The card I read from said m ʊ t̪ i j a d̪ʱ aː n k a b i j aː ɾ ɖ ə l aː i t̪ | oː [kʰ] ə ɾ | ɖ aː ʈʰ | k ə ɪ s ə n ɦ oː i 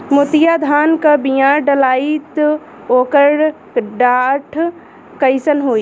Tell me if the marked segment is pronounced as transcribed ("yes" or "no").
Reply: no